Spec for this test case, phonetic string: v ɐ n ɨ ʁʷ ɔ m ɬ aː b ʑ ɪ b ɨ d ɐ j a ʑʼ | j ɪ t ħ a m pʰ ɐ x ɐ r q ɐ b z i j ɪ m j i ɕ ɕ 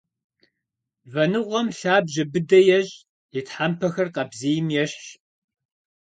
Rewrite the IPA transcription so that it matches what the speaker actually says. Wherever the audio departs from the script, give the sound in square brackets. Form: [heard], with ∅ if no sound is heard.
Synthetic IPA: v ɐ n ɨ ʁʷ ɔ m ɬ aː b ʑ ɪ b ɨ d ɐ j [ɛ] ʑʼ | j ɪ t ħ a m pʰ ɐ x ɐ r q ɐ b z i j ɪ m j [ɛ] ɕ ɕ